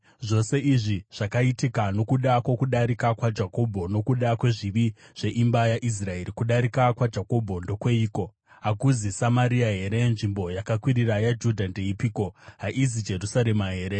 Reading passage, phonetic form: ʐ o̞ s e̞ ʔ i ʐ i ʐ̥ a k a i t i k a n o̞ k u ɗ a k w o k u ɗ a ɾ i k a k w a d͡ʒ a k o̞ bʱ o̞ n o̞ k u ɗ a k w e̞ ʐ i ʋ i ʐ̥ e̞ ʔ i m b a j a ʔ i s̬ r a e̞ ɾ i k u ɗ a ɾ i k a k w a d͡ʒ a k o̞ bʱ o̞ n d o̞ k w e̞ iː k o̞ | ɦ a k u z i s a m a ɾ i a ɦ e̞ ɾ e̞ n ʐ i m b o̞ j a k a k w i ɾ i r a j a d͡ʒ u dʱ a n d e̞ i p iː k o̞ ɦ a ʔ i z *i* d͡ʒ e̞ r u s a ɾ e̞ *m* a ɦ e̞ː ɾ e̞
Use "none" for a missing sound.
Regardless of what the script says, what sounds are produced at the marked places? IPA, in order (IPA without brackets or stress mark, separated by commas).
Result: i, m